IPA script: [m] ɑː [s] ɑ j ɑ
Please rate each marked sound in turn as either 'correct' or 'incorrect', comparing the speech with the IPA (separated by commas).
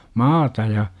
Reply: correct, incorrect